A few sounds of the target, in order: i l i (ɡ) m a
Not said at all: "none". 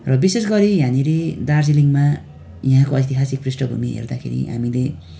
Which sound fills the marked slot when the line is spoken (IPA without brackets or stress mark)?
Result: ŋ